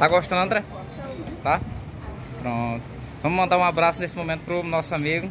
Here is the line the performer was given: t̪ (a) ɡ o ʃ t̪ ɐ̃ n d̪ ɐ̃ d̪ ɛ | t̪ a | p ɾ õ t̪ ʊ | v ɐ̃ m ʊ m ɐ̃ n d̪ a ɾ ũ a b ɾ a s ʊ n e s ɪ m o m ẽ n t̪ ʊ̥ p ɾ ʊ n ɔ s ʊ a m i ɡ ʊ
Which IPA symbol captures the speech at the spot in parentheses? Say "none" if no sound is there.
a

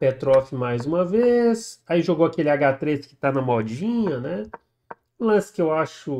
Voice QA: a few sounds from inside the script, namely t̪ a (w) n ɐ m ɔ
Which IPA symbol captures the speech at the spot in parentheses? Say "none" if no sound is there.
none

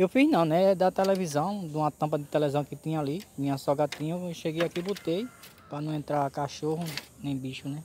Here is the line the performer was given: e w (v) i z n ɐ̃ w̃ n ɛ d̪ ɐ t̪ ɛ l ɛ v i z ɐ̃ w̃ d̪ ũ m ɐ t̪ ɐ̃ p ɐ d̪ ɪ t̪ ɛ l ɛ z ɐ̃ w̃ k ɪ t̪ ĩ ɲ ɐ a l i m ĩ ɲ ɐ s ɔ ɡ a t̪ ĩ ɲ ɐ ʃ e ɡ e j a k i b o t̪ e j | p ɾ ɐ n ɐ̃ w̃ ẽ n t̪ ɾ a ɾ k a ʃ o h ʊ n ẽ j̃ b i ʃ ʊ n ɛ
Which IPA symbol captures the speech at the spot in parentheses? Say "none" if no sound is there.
f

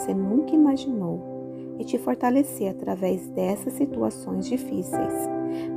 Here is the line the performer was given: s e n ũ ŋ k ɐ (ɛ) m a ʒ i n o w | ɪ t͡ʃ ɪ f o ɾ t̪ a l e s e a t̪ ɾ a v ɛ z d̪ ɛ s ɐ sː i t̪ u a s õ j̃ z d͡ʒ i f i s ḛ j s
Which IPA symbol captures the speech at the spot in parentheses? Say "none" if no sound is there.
i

